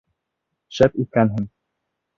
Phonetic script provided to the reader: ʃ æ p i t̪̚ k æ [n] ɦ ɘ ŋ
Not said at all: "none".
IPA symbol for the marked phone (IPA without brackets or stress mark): n